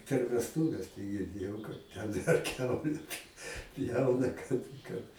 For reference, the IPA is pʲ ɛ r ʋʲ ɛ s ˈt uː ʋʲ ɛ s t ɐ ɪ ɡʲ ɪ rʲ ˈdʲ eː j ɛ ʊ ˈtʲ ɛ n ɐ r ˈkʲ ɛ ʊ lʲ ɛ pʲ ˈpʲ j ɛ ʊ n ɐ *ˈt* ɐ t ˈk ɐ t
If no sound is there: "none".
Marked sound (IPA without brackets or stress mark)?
k